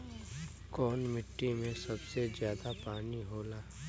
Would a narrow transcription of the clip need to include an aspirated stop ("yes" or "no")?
no